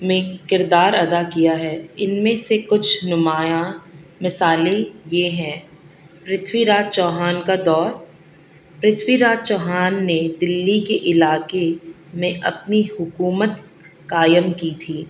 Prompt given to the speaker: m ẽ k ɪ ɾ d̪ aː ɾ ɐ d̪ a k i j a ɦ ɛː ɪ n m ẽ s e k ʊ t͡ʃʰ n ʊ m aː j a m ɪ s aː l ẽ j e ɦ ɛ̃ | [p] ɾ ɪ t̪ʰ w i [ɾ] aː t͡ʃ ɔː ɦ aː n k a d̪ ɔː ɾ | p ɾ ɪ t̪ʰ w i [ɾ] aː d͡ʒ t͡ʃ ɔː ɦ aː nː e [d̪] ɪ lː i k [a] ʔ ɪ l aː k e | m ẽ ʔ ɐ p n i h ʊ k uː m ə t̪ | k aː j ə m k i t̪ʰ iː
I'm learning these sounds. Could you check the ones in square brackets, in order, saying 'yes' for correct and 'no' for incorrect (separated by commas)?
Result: yes, yes, yes, yes, no